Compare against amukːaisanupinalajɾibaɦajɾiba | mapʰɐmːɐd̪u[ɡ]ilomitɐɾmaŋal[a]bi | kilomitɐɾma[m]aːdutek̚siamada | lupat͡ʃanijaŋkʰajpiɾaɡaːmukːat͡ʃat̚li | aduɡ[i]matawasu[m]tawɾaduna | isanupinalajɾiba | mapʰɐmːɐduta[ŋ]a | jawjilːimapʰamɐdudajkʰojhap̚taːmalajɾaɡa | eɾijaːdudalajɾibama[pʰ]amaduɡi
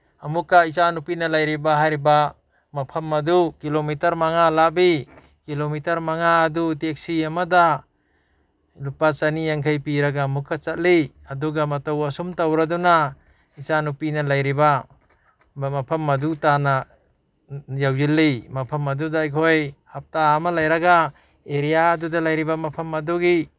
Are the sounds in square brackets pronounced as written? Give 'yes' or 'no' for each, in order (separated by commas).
no, yes, no, no, yes, no, yes